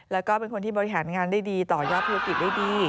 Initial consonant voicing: voiced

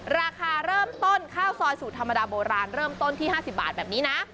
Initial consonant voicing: voiced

